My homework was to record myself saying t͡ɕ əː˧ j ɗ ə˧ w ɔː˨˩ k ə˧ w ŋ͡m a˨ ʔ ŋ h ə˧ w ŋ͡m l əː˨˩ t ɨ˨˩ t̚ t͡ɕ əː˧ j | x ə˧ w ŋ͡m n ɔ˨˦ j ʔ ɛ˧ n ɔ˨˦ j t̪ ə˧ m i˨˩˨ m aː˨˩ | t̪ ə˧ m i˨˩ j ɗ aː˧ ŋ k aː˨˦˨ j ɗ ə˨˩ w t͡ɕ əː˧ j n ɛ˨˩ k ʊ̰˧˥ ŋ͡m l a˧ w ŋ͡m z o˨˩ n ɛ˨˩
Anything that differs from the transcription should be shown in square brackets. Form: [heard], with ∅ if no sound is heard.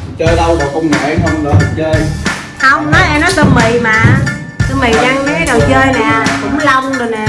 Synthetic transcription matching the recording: t͡ɕ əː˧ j ɗ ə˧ w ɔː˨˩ k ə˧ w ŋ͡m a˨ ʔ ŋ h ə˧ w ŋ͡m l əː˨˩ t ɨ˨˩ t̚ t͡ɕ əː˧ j | [h] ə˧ w ŋ͡m n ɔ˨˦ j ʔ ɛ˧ n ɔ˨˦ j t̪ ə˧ m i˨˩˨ m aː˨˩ | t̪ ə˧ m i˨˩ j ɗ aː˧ ŋ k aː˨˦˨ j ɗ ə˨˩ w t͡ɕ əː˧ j n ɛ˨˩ k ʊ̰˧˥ ŋ͡m l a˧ w ŋ͡m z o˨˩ n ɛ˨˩